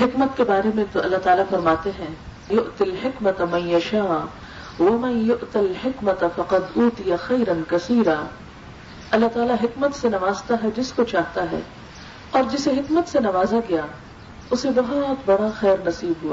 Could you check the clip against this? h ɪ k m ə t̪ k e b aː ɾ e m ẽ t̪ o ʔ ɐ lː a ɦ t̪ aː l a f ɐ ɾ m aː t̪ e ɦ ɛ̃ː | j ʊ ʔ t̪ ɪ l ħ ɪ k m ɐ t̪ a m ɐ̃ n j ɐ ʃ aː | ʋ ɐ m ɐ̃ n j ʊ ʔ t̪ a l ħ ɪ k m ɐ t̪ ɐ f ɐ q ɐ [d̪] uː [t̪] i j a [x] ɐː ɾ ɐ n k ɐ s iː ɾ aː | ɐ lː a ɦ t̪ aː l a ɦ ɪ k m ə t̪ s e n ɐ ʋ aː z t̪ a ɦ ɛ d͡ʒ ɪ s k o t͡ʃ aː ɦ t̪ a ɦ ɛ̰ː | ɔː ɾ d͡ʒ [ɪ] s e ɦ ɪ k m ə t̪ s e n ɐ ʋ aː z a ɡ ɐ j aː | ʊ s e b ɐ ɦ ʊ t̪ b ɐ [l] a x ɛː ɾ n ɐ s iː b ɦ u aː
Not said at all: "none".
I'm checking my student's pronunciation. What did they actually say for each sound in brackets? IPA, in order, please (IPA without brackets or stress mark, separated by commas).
d̪, t̪, x, ɪ, ɽ